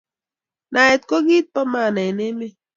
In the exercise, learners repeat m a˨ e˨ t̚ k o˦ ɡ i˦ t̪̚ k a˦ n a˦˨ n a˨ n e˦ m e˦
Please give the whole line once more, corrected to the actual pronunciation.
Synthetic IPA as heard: n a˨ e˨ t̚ k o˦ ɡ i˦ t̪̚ p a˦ m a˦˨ n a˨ n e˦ m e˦